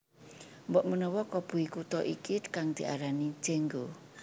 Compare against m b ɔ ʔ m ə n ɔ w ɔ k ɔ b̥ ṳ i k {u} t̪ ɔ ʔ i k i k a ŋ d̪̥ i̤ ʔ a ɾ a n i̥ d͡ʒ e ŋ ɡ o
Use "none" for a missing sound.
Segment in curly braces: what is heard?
u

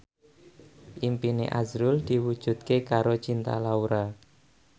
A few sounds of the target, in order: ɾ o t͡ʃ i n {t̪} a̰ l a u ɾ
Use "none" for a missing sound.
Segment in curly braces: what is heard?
t̪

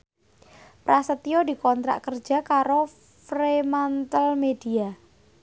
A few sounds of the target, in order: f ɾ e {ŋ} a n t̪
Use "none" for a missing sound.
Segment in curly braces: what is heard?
m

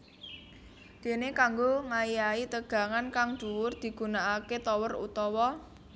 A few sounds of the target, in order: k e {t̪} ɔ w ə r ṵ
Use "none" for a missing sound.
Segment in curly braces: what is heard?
t̪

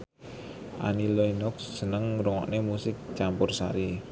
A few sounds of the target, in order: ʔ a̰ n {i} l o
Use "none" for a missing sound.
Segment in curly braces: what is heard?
i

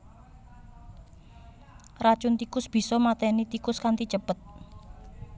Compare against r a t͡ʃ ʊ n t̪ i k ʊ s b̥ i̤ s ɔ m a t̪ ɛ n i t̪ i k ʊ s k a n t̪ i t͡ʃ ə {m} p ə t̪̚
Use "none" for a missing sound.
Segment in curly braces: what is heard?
none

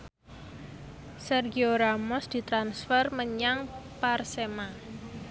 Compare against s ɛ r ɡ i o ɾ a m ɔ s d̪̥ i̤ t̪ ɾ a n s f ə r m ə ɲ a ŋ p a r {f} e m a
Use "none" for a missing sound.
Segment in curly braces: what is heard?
s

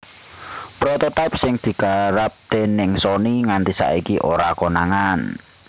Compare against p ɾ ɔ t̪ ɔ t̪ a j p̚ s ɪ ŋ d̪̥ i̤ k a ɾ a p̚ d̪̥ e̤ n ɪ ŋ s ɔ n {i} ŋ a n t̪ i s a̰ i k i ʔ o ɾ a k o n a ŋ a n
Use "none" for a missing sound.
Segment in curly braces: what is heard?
i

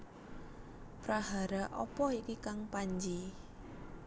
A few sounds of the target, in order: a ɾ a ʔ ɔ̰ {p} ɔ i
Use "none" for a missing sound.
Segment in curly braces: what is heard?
p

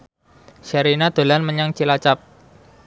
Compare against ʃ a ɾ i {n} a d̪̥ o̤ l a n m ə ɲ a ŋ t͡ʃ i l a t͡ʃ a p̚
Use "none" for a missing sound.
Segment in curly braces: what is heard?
n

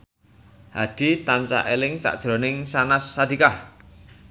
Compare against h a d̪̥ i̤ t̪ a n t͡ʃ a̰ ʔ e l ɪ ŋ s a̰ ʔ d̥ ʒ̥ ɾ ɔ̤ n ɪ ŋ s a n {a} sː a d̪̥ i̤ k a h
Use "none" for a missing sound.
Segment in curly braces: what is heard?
a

